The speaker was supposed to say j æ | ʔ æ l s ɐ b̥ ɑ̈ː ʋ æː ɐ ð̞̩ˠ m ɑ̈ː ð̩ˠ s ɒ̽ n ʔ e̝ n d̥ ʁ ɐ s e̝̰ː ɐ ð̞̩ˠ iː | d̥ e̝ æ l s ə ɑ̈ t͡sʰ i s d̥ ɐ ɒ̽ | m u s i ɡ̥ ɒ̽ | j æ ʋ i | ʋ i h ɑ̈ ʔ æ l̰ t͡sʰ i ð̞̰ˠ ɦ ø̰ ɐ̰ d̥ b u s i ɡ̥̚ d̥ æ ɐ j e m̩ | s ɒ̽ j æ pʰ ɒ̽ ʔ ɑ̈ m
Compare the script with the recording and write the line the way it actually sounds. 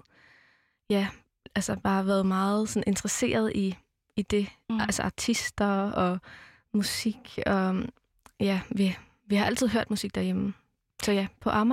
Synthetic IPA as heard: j æ | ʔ æ l s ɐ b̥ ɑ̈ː ʋ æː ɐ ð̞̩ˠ m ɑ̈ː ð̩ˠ s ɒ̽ n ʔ e̝ n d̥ ʁ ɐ s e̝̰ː ɐ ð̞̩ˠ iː | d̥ e̝ æ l s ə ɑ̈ t͡sʰ i s d̥ ɐ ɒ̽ | m u s i ɡ̥ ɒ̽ | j æ ʋ i | ʋ i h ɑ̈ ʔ æ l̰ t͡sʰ i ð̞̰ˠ ɦ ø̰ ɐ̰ d̥ m u s i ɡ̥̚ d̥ æ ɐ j e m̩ | s ɒ̽ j æ pʰ ɒ̽ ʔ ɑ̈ m